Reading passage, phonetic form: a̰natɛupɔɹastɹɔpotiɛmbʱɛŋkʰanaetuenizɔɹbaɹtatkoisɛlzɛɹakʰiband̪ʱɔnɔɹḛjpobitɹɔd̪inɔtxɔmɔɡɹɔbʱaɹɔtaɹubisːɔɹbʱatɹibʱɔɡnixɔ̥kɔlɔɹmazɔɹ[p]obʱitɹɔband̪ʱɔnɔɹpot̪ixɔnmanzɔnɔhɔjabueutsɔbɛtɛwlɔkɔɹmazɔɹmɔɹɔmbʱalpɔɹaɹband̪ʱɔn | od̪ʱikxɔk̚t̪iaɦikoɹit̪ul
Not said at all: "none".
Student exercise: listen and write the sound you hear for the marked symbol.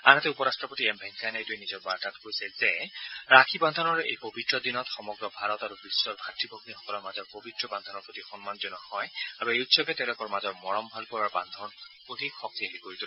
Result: p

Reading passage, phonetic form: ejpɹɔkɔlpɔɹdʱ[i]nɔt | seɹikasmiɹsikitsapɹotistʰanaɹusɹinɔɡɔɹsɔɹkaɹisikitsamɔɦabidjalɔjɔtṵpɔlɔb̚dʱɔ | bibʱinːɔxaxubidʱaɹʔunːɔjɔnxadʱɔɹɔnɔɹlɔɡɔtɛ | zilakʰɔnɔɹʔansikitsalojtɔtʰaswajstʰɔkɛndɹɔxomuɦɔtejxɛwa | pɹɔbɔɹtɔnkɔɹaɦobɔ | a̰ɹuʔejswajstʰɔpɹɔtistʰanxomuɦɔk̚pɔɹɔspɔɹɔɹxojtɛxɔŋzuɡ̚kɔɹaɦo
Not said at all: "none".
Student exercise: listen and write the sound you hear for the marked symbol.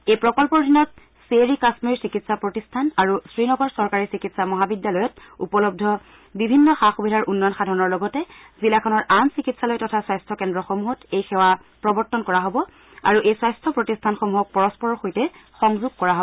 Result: i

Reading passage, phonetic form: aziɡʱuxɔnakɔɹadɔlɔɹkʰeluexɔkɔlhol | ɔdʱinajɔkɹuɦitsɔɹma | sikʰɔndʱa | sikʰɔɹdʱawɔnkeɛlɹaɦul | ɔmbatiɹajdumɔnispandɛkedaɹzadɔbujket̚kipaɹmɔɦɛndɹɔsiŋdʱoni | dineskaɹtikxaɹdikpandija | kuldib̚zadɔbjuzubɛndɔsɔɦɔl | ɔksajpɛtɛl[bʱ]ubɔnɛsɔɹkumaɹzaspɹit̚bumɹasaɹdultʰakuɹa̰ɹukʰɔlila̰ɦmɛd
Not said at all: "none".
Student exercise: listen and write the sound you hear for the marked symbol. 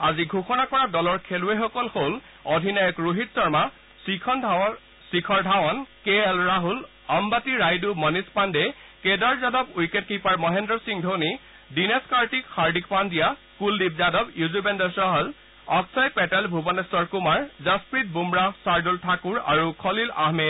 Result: bʱ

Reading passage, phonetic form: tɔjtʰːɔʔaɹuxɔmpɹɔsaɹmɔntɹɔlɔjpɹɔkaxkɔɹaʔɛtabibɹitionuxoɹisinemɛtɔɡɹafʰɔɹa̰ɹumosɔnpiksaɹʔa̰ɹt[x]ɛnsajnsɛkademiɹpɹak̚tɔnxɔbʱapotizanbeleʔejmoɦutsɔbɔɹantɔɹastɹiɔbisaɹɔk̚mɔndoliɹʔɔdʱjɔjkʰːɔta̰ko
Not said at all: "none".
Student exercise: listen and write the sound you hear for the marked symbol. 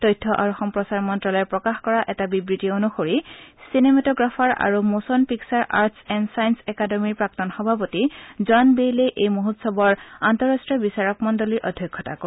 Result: s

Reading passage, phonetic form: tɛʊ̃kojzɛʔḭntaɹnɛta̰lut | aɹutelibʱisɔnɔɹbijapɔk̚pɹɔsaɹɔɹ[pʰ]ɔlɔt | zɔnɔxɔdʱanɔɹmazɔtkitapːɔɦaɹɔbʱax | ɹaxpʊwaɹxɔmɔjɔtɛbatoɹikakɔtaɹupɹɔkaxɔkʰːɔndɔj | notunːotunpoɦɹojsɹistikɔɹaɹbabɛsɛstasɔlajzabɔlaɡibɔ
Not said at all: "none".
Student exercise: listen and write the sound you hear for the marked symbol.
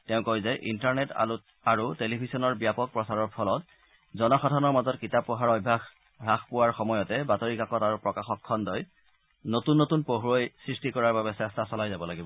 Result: pʰ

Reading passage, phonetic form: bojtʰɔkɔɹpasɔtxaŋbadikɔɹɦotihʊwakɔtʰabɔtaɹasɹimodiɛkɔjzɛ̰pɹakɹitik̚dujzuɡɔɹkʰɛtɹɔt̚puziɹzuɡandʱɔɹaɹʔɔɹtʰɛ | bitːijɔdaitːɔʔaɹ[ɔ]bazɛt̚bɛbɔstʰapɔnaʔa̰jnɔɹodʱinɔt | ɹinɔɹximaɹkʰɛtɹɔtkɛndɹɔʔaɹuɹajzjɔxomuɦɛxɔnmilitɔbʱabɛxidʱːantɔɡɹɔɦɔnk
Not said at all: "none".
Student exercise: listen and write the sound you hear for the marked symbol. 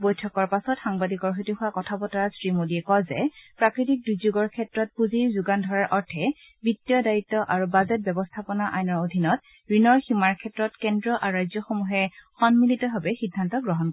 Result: u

